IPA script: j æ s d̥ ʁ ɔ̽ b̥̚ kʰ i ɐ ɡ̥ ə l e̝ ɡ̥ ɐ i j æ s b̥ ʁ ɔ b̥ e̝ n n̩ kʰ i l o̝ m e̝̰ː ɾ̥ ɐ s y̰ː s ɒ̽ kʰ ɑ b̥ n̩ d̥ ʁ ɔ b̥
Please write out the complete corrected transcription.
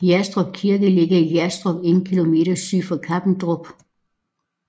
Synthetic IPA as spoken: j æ s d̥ ʁ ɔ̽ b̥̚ kʰ i ɐ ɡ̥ ə l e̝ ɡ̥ ɐ i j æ s d̥ ʁ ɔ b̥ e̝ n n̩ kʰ i l o̝ m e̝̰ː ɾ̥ ɐ s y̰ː f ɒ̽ kʰ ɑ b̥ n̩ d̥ ʁ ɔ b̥